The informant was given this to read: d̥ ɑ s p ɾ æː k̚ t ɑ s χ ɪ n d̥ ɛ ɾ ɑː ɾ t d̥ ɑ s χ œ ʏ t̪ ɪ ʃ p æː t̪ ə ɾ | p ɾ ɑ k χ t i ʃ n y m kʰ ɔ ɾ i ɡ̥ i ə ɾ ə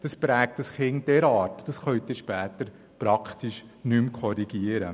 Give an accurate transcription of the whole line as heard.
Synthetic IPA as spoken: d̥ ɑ s p ɾ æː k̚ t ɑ s χ ɪ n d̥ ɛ ɾ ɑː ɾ t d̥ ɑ s χ œ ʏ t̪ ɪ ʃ p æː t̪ ə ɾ | p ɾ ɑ k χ t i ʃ n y m kʰ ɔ ɾ i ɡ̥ i ə ɾ ə

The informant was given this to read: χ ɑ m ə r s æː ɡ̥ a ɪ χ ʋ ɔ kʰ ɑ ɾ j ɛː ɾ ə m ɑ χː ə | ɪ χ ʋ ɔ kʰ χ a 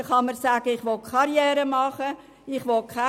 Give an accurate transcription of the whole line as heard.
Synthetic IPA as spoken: χ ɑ m ə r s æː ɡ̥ ə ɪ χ ʋ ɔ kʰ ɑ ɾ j ɛː ɾ ə m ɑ χ ə | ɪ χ ʋ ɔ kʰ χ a

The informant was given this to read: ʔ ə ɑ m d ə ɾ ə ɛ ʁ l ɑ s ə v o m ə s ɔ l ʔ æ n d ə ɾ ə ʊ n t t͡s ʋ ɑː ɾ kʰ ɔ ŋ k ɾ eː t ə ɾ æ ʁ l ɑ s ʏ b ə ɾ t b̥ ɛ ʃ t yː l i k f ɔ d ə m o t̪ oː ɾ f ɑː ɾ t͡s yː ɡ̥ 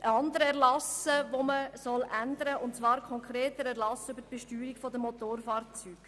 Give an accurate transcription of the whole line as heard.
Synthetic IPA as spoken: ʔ ə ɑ n d ə ɾ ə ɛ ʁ l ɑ s ə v o m ə s ɔ l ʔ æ n d ə ɾ ə ʊ n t t͡s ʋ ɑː ɾ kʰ ɔ ŋ k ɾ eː t ə ɾ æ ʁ l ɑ s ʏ b ə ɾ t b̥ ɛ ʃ t yː ɾ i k f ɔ d ə m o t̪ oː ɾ f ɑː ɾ t͡s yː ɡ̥

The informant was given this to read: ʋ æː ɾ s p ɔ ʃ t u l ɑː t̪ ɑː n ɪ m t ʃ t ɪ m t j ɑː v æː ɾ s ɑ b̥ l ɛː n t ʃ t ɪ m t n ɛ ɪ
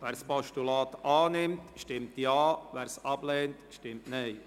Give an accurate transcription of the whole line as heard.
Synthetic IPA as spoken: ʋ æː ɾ s p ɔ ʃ t u l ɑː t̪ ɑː n ɪ m t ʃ t ɪ m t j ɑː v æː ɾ s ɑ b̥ l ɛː n t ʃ t ɪ m t n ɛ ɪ

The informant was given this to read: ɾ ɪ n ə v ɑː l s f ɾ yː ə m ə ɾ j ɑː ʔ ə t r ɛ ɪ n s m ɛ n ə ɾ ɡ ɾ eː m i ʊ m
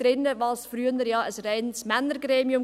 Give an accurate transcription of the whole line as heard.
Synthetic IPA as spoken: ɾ ɪ n ə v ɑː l s f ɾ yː ə n ə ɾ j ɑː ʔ ə s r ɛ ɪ n s m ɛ n ə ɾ ɡ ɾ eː m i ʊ m

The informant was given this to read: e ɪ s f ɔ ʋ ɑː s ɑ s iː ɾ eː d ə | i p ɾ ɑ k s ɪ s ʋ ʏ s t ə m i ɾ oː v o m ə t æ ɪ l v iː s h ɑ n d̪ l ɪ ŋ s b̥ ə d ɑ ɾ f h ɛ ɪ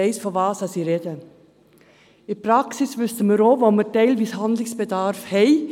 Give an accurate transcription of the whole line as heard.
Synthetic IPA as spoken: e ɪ s f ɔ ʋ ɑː s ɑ s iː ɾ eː d ə | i p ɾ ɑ k s ɪ s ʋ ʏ s t ə m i ɾ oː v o m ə t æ ɪ l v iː s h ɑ n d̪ l ɪ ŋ s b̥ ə d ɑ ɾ f h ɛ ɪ

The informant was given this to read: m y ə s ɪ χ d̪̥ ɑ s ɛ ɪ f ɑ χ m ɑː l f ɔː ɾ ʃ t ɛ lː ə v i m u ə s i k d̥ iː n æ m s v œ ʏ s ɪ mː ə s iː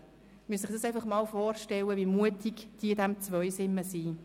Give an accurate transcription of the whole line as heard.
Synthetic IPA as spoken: m y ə s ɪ χ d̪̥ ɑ s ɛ ɪ f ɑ χ m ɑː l f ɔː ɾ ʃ t ɛ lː ə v i m u ə t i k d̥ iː d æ m t͡s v œ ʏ s ɪ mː ə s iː

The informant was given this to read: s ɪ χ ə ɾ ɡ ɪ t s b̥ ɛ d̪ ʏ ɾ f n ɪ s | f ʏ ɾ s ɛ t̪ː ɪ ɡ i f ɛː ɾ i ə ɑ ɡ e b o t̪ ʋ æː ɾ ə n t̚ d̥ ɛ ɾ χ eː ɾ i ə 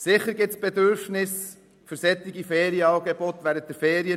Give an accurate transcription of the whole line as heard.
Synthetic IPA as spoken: s ɪ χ ə ɾ ɡ ɪ t s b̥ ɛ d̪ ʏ ɾ f n ɪ s | f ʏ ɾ s ɛ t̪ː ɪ ɡ i f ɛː ɾ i ə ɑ ɡ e b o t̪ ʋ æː ɾ ə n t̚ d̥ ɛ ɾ f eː ɾ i ə

